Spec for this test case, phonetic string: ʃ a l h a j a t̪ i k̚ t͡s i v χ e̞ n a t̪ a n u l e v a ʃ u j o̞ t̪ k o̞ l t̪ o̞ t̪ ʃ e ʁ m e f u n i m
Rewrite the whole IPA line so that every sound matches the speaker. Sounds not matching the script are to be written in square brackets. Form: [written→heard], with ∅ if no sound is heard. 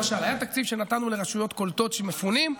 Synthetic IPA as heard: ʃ a l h a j a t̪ [i→a] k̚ t͡s i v [χ→ʃ] e̞ n a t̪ a n u l e [v→ʁ] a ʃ u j o̞ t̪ k o̞ l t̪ o̞ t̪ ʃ e [ʁ→∅] m e f u n i m